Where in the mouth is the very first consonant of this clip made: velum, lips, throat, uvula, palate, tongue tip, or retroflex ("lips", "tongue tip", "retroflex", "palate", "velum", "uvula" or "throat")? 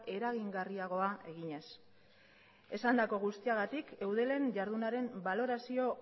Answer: tongue tip